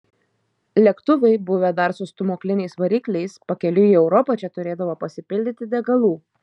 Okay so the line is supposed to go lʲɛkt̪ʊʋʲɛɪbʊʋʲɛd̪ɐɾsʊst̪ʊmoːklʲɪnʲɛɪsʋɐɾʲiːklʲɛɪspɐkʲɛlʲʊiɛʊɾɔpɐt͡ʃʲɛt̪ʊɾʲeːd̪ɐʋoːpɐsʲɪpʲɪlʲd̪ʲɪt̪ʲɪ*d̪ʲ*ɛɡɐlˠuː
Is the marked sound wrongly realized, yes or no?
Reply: no